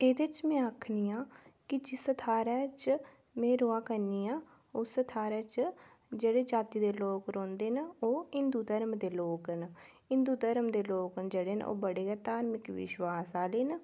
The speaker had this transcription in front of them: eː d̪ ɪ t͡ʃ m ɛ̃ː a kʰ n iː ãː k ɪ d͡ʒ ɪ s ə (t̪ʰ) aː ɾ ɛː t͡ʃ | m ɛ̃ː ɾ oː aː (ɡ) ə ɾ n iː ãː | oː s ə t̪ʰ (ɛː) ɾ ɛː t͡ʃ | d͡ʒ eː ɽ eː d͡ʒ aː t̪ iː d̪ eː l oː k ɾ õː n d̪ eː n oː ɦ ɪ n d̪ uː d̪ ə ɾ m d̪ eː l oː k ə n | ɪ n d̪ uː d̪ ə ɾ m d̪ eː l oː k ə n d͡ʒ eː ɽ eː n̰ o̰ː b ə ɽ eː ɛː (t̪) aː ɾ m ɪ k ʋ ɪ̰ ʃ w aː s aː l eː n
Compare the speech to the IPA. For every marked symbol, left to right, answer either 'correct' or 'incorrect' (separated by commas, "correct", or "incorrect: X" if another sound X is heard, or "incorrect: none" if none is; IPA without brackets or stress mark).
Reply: correct, incorrect: k, incorrect: aː, correct